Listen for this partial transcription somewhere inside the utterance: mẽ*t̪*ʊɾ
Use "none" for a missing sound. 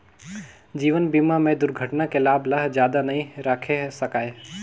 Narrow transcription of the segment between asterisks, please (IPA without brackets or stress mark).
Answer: d̪